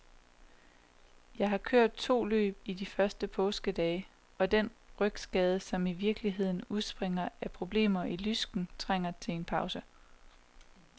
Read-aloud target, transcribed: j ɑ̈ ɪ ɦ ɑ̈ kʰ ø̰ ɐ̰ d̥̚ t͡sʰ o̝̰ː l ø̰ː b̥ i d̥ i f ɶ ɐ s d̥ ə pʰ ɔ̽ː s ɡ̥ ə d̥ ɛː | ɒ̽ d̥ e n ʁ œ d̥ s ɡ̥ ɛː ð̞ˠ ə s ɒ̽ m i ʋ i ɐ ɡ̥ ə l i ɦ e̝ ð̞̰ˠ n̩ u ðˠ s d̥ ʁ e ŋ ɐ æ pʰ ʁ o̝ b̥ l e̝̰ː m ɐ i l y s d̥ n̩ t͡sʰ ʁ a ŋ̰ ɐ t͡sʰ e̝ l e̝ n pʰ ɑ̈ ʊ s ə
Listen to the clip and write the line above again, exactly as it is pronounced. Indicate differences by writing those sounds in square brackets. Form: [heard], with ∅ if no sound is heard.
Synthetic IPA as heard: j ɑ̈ ɪ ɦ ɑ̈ kʰ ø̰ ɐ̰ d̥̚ t͡sʰ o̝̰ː l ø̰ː b̥ i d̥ i f ɶ ɐ s d̥ ə pʰ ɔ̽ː s ɡ̥ ə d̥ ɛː | ɒ̽ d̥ e n ʁ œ [ɡ̥] s ɡ̥ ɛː ð̞ˠ ə s ɒ̽ m i ʋ i ɐ ɡ̥ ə l i ɦ e̝ ð̞̰ˠ n̩ u ðˠ s [b̥] ʁ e ŋ ɐ æ pʰ ʁ o̝ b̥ l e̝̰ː m ɐ i l y s [ɡ̥] n̩ t͡sʰ ʁ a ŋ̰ ɐ t͡sʰ e̝ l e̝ n pʰ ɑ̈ ʊ s ə

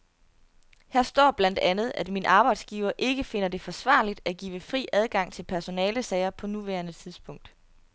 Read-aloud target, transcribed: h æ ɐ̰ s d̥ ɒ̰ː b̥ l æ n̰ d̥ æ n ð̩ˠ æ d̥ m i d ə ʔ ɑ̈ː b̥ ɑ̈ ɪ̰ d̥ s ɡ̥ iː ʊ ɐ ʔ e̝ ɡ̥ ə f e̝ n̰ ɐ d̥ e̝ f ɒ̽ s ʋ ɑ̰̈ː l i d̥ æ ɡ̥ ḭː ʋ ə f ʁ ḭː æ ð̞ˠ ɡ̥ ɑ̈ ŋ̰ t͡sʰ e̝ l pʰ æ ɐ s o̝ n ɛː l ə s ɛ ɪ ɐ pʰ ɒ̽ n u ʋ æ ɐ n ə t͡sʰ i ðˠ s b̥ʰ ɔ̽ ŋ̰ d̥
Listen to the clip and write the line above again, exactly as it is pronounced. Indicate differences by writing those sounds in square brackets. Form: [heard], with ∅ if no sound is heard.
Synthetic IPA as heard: h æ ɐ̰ s d̥ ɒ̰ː b̥ l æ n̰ d̥ æ n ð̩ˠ æ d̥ m i [n] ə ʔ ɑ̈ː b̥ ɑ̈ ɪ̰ d̥ s ɡ̥ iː ʊ ɐ ʔ e̝ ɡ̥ ə f e̝ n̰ ɐ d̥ e̝ f ɒ̽ s ʋ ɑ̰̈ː l i d̥ æ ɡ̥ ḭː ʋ ə f ʁ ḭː æ ð̞ˠ ɡ̥ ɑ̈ ŋ̰ t͡sʰ e̝ l pʰ æ ɐ s o̝ n ɛː l ə s ɛ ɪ ɐ pʰ ɒ̽ n u ʋ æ ɐ n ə t͡sʰ i ðˠ s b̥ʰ ɔ̽ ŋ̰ d̥

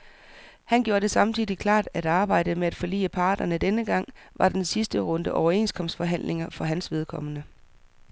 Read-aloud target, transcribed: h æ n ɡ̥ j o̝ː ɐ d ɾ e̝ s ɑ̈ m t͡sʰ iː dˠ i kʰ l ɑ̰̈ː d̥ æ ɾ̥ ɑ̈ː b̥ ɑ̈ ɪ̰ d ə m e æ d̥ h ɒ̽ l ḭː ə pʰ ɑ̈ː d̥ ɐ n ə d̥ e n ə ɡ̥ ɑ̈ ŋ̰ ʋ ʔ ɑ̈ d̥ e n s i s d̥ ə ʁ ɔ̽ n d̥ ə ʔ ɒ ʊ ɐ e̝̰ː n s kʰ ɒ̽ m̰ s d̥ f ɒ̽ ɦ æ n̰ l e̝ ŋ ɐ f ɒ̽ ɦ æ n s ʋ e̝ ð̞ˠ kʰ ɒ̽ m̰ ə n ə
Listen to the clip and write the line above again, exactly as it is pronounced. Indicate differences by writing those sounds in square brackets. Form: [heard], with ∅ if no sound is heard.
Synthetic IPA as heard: h æ n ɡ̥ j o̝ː ɐ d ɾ e̝ s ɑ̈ m t͡sʰ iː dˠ i kʰ l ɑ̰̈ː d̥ æ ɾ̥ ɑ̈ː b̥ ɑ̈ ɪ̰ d ə m e æ d̥ [f] ɒ̽ l ḭː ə pʰ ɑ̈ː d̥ ɐ n ə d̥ e n ə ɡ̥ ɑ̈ ŋ̰ ʋ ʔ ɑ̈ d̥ e n s i s d̥ ə ʁ ɔ̽ n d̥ ə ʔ ɒ ʊ ɐ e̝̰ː n s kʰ ɒ̽ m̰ s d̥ f ɒ̽ ɦ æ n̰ l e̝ ŋ ɐ f ɒ̽ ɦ æ n s ʋ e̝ ð̞ˠ kʰ ɒ̽ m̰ ə n ə

